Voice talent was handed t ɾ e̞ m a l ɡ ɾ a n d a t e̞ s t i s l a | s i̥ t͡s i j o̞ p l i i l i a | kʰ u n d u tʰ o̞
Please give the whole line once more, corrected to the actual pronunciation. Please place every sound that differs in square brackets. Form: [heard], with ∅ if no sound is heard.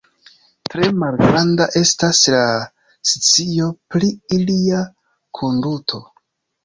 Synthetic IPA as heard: t ɾ e̞ m a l ɡ ɾ a n d a [ʔ] e̞ s t [a] s l a | s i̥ t͡s i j o̞ p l i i l i a | kʰ [o] n d u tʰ o̞